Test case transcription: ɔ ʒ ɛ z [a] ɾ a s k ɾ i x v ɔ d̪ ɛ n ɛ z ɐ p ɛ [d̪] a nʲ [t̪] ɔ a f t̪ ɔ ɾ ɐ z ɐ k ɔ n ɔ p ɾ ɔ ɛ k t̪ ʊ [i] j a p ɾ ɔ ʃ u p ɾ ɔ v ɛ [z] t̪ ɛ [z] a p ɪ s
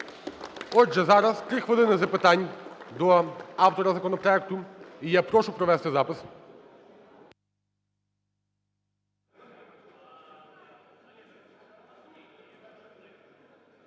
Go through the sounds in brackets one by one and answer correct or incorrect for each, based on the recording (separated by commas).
correct, incorrect, incorrect, correct, incorrect, correct